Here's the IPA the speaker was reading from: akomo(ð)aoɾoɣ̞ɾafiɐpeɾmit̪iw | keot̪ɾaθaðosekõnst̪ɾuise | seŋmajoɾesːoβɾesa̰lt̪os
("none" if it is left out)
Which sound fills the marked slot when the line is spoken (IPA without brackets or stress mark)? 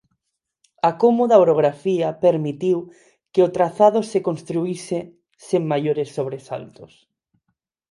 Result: ð